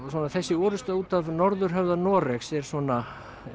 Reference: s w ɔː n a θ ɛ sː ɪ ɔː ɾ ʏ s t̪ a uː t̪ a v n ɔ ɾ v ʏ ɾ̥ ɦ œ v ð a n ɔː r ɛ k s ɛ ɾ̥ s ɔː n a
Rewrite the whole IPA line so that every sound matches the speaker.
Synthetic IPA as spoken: s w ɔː n a θ ɛ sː ɪ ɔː ɾ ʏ s t̪ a uː t̪ a v n ɔ ɾ ð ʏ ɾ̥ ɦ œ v ð a n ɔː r ɛ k s ɛ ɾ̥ s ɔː n a